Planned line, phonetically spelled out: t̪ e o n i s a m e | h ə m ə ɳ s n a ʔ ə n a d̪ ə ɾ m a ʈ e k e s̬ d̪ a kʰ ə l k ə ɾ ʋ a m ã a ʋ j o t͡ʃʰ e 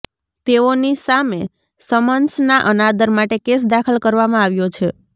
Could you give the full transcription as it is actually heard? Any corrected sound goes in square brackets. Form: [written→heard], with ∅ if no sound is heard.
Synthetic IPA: t̪ e o n i s a m e | [h→s] ə m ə [ɳ→n] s n a ʔ ə n a d̪ ə ɾ m a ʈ e k e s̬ d̪ a kʰ ə l k ə ɾ ʋ a m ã a ʋ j o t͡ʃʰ e